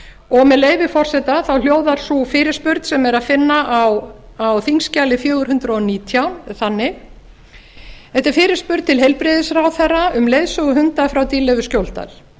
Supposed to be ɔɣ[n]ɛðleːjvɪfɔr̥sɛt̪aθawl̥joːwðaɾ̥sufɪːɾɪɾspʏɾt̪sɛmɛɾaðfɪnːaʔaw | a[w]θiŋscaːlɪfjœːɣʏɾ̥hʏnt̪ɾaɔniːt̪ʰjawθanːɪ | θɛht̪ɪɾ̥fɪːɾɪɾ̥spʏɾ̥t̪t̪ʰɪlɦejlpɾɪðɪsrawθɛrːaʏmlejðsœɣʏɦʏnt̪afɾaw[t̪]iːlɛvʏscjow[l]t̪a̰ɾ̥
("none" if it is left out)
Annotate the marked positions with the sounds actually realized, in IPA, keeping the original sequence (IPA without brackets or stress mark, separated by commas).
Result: m, w, t̪, l